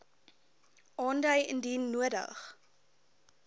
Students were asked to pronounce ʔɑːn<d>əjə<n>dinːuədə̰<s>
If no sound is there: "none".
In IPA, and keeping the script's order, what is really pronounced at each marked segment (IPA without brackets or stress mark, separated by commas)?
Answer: d, n, χ